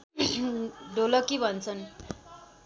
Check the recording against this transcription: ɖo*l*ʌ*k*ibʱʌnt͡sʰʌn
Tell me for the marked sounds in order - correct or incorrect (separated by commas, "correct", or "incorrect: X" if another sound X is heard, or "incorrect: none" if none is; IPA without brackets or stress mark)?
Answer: correct, correct